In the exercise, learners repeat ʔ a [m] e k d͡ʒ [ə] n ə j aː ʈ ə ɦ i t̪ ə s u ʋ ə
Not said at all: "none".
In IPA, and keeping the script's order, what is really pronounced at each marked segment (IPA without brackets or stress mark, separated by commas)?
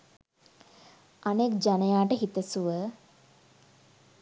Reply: n, a